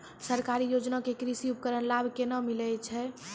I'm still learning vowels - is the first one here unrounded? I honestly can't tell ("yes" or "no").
yes